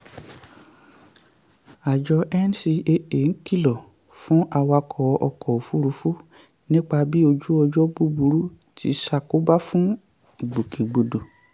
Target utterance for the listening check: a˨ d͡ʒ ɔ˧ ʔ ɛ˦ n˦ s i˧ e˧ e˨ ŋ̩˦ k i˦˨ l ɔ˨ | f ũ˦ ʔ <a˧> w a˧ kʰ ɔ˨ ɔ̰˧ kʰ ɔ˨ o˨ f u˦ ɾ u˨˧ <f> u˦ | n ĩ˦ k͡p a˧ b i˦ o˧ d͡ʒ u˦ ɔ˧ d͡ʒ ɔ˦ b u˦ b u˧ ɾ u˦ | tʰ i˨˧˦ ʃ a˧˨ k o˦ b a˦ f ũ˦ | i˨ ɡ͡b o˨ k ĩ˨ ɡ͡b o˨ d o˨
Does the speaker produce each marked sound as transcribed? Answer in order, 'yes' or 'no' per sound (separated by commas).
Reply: yes, yes